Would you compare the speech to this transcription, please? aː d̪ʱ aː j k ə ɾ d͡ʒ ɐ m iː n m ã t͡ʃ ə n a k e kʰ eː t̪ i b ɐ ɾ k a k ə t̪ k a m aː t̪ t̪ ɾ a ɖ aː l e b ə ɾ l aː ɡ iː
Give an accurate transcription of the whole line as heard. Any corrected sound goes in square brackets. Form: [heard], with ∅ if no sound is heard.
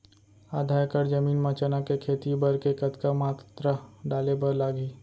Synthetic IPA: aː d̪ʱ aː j k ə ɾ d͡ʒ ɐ m iː n m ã t͡ʃ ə n a k e kʰ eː t̪ i b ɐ ɾ k [e] k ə t̪ k a m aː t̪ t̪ ɾ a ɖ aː l e b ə ɾ l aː ɡ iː